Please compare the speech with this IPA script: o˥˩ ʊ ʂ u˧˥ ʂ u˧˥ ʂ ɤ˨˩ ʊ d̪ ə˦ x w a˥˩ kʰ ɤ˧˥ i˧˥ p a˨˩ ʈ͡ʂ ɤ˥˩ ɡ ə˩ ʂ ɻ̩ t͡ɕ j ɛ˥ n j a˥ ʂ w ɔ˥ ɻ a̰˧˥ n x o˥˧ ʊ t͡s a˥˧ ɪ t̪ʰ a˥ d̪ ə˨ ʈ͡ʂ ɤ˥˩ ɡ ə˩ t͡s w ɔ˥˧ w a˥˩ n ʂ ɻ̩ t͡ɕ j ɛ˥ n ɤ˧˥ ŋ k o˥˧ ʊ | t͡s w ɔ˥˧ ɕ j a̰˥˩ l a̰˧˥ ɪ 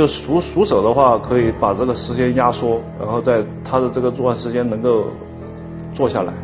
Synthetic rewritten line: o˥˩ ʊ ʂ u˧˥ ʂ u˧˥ ʂ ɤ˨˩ ʊ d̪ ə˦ x w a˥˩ kʰ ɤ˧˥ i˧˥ p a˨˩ ʈ͡ʂ ɤ˥˩ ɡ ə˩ ʂ ɻ̩ t͡ɕ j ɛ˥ n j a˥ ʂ w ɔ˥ ɻ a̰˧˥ n x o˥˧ ʊ t͡s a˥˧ ɪ t̪ʰ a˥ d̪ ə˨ ʈ͡ʂ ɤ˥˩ ɡ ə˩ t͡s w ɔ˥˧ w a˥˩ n ʂ ɻ̩ t͡ɕ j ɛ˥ n ɤ˧˥ ŋ k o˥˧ ʊ | t͡s w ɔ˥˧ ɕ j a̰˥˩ l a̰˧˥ ɪ